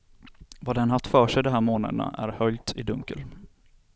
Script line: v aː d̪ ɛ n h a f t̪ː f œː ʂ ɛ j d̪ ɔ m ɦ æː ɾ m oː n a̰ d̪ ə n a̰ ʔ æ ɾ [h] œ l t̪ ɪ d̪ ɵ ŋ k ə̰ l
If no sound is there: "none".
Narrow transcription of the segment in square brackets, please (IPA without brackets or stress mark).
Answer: h